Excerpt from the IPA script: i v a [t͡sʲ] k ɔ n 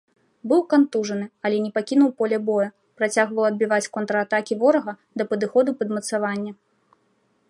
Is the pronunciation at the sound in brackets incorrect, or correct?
correct